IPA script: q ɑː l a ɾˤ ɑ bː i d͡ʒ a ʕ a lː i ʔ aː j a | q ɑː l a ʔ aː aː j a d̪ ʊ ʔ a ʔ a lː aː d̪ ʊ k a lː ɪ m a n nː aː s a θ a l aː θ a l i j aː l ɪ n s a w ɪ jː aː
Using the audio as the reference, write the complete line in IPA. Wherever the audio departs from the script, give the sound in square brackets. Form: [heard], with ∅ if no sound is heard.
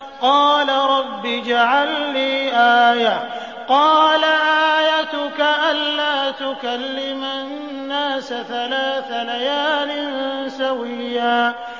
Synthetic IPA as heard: q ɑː l a ɾˤ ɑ bː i d͡ʒ a ʕ a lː [iː] ʔ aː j a | q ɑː l a ʔ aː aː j a [t̪] ʊ [k] a ʔ a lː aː [t̪] ʊ k a lː ɪ m a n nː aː s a θ a l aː θ a l [a] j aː l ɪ n s a w ɪ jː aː